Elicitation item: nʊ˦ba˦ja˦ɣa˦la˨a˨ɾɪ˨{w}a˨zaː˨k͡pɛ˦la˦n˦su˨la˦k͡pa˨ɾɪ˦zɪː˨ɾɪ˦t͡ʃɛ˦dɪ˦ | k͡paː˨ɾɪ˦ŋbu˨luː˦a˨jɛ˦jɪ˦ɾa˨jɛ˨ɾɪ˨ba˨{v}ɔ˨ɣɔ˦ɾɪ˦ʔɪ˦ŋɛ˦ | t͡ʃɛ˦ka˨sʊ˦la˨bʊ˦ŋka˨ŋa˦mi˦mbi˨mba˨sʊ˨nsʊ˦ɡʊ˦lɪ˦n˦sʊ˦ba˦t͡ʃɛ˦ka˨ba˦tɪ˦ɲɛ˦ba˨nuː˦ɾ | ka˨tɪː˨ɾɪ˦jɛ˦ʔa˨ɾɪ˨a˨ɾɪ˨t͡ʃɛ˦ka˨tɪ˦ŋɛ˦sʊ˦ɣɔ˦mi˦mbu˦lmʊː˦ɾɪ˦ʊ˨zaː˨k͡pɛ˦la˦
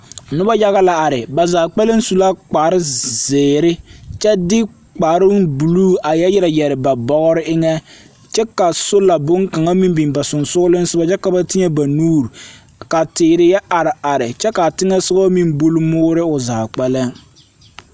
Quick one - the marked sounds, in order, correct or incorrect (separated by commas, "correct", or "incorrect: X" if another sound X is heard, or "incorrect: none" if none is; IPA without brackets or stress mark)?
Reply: incorrect: b, incorrect: b